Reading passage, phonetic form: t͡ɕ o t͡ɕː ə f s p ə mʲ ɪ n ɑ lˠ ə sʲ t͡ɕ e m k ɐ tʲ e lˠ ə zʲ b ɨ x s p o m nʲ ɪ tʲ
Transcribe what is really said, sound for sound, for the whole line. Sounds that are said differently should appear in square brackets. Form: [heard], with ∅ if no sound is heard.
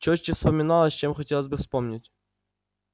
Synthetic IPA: t͡ɕ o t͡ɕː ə f s p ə mʲ ɪ n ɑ lˠ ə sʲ t͡ɕ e m [x] ɐ tʲ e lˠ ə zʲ b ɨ [f] s p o m nʲ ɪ tʲ